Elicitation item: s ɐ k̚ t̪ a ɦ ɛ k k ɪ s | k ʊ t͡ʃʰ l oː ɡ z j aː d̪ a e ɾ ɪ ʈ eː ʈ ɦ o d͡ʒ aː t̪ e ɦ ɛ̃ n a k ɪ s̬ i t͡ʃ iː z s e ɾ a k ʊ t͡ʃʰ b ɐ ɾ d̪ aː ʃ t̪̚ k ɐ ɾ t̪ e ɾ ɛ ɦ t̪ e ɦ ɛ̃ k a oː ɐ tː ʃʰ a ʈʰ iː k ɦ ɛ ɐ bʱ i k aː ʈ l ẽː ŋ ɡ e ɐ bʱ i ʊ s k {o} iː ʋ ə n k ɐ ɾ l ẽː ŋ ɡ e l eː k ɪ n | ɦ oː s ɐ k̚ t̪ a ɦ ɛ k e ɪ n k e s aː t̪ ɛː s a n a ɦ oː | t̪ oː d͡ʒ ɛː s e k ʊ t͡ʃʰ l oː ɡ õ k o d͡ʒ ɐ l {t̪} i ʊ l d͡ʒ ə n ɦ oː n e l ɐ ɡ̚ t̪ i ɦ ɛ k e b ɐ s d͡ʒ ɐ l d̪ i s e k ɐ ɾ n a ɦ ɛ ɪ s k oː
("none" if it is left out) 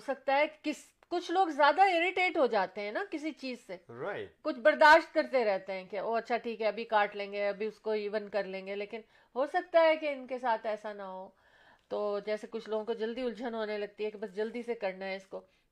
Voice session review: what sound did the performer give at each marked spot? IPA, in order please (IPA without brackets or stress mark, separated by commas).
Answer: o, d̪